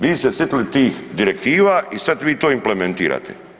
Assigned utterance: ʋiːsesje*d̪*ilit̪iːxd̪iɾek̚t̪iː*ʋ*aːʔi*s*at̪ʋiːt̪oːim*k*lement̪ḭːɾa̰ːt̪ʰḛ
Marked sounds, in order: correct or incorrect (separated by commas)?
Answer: incorrect, correct, correct, incorrect